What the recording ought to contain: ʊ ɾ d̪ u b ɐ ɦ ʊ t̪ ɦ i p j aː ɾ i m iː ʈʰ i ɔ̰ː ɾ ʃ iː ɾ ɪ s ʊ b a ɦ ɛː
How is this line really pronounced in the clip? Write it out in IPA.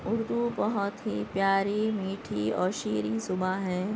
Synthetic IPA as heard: ʊ ɾ d̪ u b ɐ ɦ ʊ t̪ ɦ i p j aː ɾ i m iː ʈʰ i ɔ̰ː ɾ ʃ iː ɾ i s ʊ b a ɦ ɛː